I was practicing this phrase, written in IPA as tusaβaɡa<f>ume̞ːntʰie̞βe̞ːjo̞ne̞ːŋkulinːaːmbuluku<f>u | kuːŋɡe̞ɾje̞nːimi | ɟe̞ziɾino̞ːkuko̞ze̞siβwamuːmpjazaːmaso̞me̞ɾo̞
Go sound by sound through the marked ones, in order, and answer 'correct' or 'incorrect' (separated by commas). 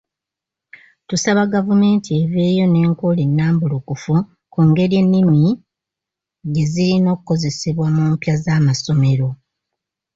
incorrect, correct